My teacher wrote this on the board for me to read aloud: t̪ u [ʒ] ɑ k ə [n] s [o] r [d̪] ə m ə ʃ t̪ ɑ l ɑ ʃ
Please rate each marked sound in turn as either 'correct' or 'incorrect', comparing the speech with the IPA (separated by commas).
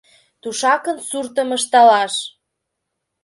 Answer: incorrect, correct, incorrect, incorrect